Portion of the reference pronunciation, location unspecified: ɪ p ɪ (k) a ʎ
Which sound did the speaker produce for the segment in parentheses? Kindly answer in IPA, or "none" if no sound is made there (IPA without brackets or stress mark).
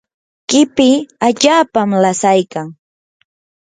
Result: none